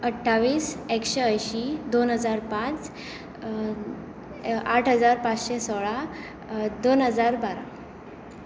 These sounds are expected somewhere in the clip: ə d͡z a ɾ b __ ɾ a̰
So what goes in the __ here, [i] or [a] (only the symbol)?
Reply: a